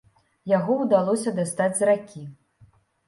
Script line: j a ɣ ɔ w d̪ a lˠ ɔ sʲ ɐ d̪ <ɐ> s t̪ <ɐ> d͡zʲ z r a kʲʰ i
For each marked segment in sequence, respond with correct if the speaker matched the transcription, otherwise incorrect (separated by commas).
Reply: incorrect, incorrect